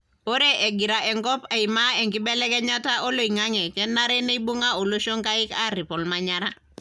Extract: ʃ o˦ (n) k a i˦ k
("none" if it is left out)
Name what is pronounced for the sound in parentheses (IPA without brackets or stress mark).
ŋ